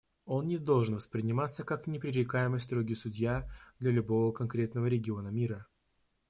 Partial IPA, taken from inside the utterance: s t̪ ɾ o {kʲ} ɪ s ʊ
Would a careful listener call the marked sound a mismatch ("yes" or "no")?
yes